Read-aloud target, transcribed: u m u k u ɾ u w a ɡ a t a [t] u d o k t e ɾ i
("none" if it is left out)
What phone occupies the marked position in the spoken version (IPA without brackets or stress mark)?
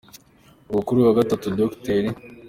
t